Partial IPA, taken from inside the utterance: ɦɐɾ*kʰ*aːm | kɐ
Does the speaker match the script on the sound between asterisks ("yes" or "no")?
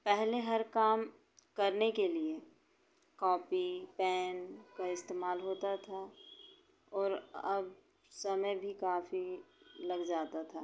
no